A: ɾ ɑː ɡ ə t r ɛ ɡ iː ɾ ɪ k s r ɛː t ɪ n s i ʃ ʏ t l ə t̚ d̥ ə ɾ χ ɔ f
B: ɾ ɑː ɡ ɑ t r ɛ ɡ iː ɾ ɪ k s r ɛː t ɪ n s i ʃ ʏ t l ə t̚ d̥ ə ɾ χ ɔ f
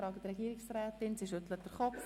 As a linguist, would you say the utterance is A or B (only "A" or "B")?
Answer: A